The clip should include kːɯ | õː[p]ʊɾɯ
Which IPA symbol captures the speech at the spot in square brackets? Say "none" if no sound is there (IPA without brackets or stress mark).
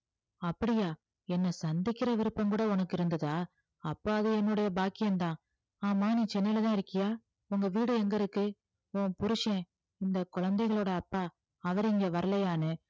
p